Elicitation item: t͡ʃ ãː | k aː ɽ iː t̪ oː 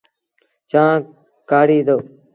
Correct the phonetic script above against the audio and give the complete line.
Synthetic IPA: t͡ʃ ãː | k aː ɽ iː d̪ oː